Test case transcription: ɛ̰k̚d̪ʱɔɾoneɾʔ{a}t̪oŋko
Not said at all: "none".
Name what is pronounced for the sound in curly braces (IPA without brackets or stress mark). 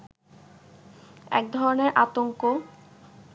a